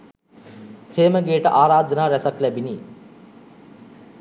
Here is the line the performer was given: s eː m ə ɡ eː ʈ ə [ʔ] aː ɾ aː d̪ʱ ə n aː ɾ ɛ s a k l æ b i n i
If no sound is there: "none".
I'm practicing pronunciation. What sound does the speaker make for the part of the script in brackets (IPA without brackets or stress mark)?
ʔ